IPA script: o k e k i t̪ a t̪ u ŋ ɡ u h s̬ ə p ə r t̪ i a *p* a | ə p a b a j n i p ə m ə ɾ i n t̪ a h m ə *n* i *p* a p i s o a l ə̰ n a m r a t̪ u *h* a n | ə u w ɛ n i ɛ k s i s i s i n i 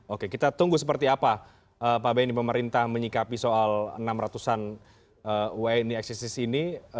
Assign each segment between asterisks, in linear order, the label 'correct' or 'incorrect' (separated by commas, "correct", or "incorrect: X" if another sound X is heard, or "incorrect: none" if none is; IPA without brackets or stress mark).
correct, incorrect: ɲ, incorrect: k, incorrect: s